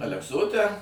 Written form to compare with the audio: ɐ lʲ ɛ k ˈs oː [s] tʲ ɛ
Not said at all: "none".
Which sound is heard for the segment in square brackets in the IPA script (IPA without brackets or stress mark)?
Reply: none